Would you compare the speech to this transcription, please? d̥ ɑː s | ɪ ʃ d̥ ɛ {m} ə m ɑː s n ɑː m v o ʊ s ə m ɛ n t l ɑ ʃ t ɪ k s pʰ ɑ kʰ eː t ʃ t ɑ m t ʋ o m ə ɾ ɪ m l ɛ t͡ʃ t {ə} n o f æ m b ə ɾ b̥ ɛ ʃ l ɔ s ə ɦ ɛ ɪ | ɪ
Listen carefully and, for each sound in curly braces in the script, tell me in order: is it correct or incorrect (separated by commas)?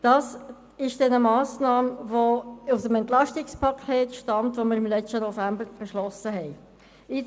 incorrect, correct